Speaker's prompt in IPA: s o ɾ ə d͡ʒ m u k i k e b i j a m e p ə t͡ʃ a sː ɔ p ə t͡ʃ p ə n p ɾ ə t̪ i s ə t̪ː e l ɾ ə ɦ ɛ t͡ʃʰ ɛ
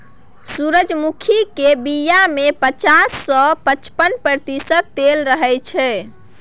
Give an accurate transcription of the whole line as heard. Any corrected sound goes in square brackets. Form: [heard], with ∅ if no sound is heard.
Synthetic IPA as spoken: s [u] ɾ ə d͡ʒ m u [kʰ] i k e b i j a m e p ə t͡ʃ a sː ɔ p ə t͡ʃ p ə n p ɾ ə t̪ i s ə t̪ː e l ɾ ə ɦ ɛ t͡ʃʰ ɛ

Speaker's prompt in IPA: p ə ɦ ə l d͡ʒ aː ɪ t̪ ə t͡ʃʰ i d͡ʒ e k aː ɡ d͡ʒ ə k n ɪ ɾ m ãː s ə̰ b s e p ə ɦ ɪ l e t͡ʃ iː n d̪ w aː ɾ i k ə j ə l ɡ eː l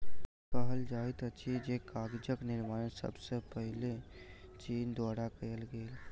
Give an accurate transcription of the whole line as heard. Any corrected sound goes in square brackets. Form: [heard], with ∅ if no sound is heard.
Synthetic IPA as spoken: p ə ɦ ə l d͡ʒ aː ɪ t̪ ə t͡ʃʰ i d͡ʒ e k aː ɡ d͡ʒ ə k n ɪ ɾ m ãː s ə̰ b s e p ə ɦ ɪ l e t͡ʃ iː n d̪ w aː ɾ [a] k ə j ə l ɡ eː l

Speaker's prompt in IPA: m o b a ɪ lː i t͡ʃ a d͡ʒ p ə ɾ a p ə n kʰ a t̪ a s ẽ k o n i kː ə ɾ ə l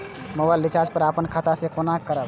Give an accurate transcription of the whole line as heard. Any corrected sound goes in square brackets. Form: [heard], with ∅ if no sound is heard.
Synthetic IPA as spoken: m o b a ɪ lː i t͡ʃ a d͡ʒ p ə ɾ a p ə n kʰ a t̪ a s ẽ k o n [a] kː ə ɾ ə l

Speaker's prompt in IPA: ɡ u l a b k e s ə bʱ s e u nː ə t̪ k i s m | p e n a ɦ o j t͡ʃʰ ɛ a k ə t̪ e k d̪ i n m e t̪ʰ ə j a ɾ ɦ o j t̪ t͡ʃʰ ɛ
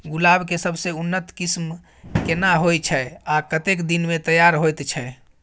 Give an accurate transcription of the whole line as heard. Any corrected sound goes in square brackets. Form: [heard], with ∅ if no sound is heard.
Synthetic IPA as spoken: ɡ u l a b k e s ə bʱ s e u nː ə t̪ k i s m | [k] e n a ɦ o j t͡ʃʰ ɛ a k ə t̪ e k d̪ i n m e [t̪] ə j a ɾ ɦ o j t̪ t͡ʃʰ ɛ

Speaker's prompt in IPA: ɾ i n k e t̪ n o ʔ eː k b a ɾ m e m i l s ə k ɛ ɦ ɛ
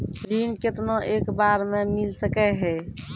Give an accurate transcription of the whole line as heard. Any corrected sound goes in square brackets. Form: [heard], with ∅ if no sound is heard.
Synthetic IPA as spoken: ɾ i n k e t̪ n o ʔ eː k b a ɾ m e m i l s ə k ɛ ɦ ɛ

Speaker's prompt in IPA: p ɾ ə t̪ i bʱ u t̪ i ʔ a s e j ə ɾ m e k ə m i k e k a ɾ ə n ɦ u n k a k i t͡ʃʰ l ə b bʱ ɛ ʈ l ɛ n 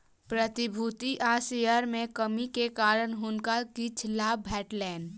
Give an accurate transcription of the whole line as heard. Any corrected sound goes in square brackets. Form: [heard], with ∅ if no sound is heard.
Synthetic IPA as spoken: p ɾ ə t̪ i bʱ u t̪ i ʔ a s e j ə ɾ m e k ə m i k e k a ɾ ə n ɦ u n k a k i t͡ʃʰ l [a] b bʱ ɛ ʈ l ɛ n

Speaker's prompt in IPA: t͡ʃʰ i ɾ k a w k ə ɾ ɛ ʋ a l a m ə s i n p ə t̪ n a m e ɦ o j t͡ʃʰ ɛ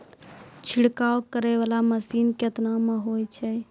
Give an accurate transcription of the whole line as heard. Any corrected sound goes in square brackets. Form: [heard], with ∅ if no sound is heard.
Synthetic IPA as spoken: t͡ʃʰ i [ɽ] k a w k ə ɾ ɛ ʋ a l a m ə s i n [k] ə t̪ n a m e ɦ o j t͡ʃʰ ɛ

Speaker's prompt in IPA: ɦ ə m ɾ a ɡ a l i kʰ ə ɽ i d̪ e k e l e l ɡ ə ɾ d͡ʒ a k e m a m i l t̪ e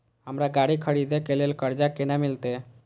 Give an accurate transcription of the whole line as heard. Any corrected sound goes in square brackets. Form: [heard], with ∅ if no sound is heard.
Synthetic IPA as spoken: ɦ ə m ɾ a ɡ a [ɽ] i kʰ ə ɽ i d̪ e k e l e l [k] ə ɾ d͡ʒ a k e [n] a m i l t̪ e

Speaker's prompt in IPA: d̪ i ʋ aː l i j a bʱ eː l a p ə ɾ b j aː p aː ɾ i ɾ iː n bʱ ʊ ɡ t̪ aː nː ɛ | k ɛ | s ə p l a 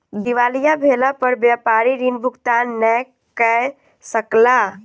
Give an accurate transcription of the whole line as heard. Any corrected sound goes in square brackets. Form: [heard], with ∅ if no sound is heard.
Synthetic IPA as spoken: d̪ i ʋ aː l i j a bʱ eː l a p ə ɾ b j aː p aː ɾ i ɾ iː n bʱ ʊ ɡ t̪ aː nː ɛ | k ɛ | s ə [k] l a

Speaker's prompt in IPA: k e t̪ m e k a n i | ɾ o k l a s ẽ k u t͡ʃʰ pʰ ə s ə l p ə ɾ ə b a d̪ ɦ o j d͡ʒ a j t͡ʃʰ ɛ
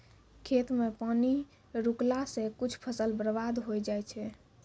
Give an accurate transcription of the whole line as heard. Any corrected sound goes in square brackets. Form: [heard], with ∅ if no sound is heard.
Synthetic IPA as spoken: [kʰ] e t̪ m e [p] a n i | ɾ [u] k l a s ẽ k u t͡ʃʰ pʰ ə s ə l [b] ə ɾ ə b a d̪ ɦ o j d͡ʒ a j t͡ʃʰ ɛ

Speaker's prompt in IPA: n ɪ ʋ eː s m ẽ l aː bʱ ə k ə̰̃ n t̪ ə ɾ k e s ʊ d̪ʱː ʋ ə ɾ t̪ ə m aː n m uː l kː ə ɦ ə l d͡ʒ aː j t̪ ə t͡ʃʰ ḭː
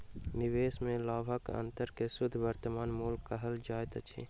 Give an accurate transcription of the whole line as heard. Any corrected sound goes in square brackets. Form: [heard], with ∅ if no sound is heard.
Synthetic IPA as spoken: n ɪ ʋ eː s m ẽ l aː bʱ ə k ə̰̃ n t̪ ə ɾ k e s ʊ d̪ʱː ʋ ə ɾ t̪ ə m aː n m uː l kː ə ɦ ə l d͡ʒ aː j t̪ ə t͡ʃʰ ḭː

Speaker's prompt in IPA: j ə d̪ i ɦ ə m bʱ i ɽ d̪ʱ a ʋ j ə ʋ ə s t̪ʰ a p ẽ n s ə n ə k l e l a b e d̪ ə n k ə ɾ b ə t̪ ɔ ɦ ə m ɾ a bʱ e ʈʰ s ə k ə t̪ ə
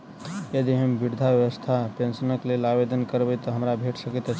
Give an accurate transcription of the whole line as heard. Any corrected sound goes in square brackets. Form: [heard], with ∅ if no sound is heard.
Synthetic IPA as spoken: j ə d̪ i ɦ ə m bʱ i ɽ d̪ʱ a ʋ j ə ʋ ə s t̪ʰ a p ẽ n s ə n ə k l e l a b e d̪ ə n k ə ɾ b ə t̪ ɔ ɦ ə m ɾ a bʱ e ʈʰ s ə k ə t̪ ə

